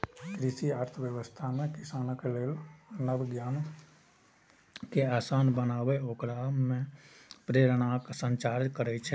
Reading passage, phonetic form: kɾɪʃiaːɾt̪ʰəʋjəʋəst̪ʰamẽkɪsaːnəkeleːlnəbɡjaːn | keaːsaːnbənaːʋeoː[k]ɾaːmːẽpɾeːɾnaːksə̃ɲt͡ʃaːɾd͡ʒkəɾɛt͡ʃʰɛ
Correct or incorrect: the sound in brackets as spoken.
correct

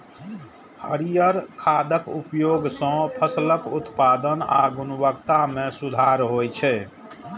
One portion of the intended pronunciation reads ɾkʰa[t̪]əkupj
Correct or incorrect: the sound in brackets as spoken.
incorrect: d̪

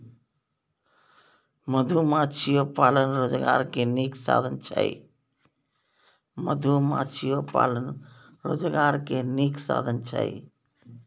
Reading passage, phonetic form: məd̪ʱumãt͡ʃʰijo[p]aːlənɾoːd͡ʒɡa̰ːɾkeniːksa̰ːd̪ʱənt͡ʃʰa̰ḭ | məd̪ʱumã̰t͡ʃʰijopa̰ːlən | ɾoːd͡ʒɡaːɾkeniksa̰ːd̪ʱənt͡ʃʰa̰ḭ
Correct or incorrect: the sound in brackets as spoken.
correct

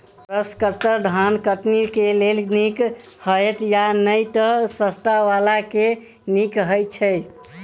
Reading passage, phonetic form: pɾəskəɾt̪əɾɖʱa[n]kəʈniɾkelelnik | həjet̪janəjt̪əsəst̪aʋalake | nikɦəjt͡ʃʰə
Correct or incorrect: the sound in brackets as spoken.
correct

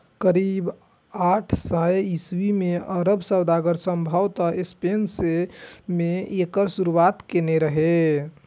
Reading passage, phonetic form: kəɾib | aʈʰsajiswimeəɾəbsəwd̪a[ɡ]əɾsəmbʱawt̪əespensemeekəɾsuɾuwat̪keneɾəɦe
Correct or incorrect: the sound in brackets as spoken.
correct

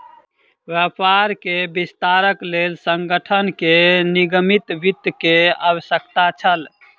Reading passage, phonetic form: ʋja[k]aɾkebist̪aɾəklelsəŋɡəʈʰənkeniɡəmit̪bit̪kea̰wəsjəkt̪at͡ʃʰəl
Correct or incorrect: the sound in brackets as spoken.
incorrect: p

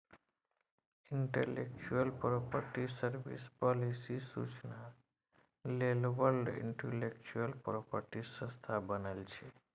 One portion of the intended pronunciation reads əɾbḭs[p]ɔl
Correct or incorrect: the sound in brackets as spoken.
correct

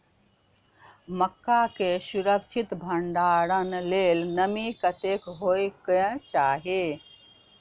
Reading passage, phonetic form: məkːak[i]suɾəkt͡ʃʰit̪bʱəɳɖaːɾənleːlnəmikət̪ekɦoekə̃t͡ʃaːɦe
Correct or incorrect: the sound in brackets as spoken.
incorrect: e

